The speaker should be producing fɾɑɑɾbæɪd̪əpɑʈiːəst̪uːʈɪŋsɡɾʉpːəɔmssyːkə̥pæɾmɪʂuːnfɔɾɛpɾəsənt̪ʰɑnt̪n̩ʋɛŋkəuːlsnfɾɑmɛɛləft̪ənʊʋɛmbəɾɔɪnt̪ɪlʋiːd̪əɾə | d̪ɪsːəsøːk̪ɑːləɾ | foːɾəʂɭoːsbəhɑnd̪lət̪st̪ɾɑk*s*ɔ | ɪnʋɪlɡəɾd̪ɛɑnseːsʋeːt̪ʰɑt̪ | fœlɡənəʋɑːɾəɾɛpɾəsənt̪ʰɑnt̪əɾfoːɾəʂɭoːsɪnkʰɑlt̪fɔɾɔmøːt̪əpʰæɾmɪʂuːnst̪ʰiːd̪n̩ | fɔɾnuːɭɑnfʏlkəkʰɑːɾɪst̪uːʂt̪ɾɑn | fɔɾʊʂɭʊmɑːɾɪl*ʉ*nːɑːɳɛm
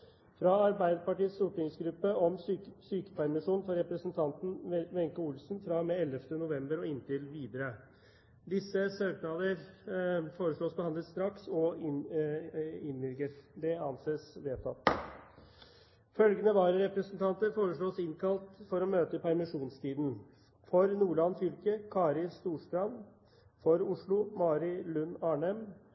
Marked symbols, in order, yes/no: yes, yes

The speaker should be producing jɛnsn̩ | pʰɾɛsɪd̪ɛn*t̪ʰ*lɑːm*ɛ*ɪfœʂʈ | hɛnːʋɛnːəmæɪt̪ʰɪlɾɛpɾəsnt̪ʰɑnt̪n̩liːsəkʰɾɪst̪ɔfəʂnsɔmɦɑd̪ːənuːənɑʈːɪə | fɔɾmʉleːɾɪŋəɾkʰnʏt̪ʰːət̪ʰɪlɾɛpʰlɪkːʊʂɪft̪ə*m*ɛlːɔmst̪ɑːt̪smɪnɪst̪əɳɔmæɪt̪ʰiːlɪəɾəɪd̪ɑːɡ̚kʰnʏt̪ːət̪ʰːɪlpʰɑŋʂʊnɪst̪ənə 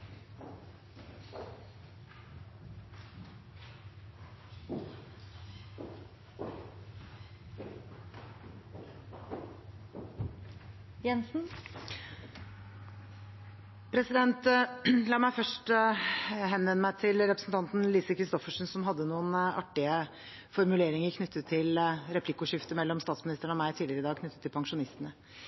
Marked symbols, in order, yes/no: no, no, yes

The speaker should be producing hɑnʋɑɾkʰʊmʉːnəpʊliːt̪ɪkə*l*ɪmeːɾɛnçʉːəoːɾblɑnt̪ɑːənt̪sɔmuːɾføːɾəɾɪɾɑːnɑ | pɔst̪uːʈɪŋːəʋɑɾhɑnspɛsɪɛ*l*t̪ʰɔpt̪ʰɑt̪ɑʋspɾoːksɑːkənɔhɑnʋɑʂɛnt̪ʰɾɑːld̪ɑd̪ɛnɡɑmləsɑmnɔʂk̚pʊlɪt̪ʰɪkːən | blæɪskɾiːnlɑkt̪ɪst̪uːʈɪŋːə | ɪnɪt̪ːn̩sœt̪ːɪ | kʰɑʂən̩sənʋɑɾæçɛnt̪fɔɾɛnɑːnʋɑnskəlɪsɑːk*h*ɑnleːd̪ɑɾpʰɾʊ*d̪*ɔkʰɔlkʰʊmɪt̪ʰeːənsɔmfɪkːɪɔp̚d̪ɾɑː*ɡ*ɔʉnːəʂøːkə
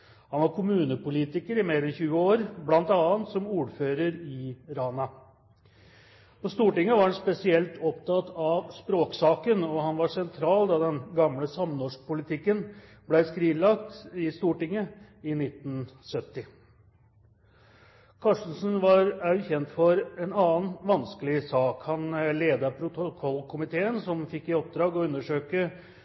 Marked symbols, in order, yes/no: no, yes, yes, no, yes

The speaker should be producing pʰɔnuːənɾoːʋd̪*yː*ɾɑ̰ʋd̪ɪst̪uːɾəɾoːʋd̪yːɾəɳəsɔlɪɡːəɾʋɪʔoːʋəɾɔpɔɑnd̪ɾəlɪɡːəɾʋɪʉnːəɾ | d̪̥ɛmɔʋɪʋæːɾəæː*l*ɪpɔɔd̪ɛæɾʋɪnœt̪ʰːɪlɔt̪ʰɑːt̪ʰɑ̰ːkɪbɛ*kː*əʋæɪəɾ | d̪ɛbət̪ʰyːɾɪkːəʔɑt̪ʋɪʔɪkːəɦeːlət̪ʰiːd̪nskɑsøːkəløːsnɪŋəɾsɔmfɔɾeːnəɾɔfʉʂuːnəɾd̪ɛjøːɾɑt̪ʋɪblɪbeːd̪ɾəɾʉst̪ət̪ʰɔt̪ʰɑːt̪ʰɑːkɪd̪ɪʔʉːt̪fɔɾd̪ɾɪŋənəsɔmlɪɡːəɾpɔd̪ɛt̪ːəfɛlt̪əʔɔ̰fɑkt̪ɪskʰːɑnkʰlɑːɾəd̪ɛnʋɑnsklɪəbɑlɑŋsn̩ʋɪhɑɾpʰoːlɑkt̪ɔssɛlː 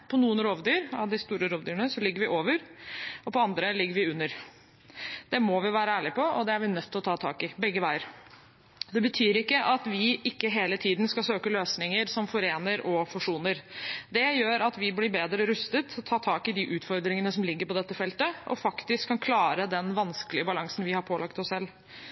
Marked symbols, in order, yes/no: yes, no, no

